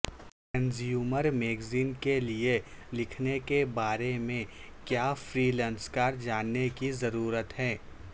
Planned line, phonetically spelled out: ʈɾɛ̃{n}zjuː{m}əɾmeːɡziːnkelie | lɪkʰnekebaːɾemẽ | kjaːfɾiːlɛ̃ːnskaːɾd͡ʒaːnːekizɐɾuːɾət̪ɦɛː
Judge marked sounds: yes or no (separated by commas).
yes, yes